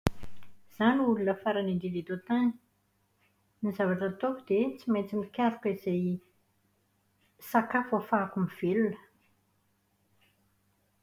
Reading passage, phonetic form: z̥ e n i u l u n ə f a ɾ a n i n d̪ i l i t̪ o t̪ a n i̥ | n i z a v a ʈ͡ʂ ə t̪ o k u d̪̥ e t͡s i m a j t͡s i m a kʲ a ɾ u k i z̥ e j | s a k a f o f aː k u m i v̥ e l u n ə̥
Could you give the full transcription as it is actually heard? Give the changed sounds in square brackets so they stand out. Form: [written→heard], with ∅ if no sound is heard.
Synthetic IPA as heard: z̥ [e→a] n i u l u n ə f a ɾ a n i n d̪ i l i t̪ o t̪ a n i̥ | n i z a v a ʈ͡ʂ ə t̪ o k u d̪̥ e t͡s i m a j t͡s i m [a→i] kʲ a ɾ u k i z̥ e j | s a k a f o f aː k u m i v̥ e l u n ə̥